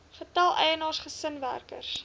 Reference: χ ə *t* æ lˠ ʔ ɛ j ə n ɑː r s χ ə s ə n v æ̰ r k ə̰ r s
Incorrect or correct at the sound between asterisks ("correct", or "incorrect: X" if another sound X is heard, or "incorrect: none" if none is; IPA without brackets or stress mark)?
correct